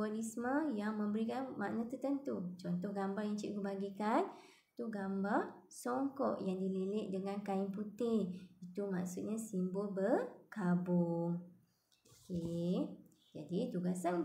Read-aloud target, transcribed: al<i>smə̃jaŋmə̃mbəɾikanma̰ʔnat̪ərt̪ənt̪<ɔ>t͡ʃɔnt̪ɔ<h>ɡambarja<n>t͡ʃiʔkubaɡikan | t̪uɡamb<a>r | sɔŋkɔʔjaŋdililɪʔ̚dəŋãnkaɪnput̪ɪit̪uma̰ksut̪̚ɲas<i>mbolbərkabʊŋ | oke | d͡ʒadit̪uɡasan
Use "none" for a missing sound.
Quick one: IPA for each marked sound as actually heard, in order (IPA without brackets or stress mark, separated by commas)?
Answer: i, u, h, ŋ, a, i